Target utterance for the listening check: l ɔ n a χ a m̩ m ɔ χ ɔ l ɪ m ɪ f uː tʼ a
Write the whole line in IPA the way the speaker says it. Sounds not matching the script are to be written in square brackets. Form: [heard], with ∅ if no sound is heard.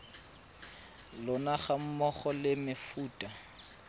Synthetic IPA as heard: l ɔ n a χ a m̩ m ɔ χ ɔ l ɪ m ɪ f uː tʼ a